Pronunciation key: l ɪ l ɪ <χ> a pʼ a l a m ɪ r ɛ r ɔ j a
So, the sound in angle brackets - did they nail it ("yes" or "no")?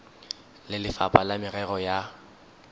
no